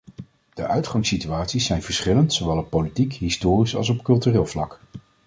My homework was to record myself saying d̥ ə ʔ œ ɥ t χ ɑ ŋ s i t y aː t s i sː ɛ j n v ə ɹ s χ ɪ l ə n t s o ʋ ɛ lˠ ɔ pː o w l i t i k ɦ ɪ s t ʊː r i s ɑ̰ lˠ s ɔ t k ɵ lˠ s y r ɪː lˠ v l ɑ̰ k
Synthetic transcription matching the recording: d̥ ə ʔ œ ɥ t χ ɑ ŋ s i t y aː t s i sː ɛ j n v ə ɹ s χ ɪ l ə n t s o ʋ ɛ lˠ ɔ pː o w l i t i k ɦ ɪ s t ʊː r i s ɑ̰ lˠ s ɔ p k ɵ lˠ t y r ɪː lˠ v l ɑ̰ k